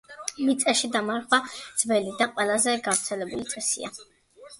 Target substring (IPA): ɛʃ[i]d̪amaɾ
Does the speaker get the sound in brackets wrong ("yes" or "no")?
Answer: no